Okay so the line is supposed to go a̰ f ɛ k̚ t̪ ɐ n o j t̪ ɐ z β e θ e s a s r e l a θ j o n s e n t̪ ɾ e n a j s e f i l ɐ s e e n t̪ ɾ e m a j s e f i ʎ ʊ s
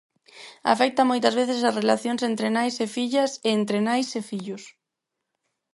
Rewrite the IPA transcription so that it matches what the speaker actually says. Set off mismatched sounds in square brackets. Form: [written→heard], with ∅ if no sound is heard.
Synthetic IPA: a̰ f ɛ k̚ t̪ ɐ [n→m] o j t̪ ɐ z β e θ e s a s r e l a θ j o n s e n t̪ ɾ e n a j s e f i [l→ʎ] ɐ s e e n t̪ ɾ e [m→n] a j s e f i ʎ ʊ s